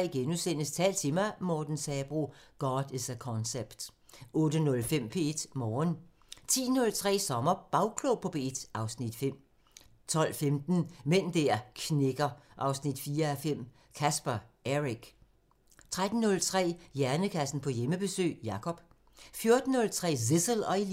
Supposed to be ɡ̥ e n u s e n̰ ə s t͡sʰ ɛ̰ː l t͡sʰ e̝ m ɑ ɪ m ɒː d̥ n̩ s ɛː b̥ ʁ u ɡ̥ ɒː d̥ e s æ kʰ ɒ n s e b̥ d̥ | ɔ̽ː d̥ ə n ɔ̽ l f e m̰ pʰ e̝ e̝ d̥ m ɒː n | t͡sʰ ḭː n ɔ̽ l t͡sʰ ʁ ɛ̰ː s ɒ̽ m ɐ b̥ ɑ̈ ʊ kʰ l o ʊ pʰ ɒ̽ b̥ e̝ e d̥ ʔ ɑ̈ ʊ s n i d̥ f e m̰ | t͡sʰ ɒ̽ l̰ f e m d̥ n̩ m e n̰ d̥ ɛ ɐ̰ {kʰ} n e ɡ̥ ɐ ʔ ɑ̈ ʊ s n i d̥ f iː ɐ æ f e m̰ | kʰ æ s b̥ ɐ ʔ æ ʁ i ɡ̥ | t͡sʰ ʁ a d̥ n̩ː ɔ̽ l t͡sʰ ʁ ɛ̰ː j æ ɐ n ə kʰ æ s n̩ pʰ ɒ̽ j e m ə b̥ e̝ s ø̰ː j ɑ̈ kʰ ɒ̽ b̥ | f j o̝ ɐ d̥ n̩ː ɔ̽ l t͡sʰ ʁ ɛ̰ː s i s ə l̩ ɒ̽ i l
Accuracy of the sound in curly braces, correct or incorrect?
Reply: correct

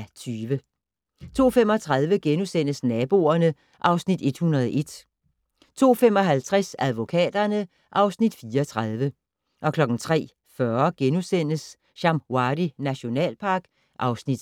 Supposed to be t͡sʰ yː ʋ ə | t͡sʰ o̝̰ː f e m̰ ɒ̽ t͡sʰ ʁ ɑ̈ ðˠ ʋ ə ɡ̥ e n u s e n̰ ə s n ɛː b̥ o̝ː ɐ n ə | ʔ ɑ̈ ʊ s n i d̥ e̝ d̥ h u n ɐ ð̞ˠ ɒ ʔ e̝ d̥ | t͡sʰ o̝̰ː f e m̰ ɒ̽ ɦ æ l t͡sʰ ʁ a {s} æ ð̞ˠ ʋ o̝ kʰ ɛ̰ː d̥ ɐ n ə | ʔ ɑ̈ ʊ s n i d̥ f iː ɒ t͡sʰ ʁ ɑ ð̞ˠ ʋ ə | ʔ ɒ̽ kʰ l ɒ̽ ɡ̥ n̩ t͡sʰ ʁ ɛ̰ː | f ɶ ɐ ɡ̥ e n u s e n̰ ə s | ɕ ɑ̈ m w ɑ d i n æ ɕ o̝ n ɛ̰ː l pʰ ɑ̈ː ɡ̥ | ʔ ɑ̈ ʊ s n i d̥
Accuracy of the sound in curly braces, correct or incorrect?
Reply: correct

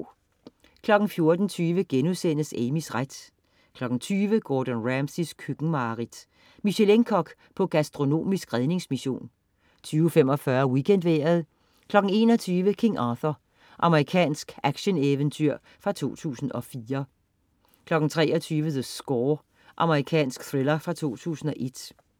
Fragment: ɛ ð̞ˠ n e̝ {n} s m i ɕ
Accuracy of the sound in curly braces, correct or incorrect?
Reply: incorrect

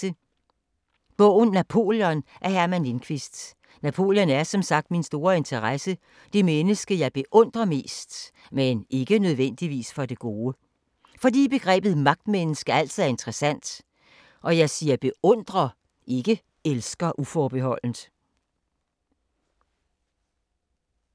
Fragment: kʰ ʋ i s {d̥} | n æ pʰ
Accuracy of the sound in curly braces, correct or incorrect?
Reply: correct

